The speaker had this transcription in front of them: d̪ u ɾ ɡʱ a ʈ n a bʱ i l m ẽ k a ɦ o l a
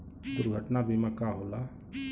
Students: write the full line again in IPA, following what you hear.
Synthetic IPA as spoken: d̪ u ɾ ɡʱ ə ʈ n a bʱ i m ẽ k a ɦ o l a